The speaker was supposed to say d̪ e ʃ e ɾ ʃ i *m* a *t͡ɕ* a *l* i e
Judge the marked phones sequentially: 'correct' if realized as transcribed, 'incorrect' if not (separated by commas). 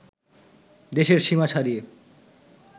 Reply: correct, incorrect, incorrect